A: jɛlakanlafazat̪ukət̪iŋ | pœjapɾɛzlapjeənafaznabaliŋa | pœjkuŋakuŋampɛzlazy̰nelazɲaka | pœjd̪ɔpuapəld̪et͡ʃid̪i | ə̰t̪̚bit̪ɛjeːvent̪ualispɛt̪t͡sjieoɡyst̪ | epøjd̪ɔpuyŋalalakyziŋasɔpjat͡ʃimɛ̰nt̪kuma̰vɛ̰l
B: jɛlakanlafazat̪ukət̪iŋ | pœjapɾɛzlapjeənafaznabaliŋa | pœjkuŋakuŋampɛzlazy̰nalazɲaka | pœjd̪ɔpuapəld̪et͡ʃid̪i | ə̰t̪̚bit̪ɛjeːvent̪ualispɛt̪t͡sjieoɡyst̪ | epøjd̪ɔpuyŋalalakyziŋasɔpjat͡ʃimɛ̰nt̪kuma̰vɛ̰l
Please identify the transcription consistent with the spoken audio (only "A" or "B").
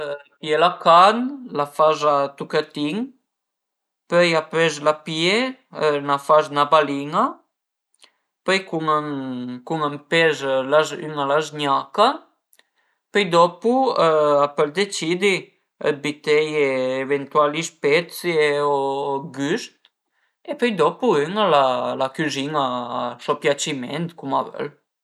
B